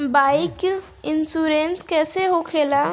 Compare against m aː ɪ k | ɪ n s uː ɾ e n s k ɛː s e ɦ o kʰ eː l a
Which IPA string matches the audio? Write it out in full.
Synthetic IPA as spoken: b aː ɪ k | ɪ n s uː ɾ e n s k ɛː s e ɦ o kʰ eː l a